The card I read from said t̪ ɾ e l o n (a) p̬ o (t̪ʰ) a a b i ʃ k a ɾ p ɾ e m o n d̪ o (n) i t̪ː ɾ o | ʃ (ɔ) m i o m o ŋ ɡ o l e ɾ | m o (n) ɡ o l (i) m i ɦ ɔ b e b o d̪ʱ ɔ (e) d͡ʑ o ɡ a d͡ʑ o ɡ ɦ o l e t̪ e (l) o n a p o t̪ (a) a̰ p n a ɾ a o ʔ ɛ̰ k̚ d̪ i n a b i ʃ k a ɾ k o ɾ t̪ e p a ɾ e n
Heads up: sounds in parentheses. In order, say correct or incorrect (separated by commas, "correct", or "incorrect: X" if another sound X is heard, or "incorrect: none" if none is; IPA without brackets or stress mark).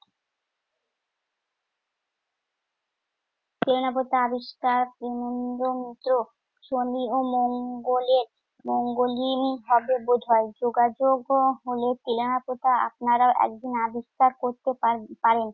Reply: correct, incorrect: t̪, incorrect: m, incorrect: o, incorrect: ŋ, correct, correct, correct, correct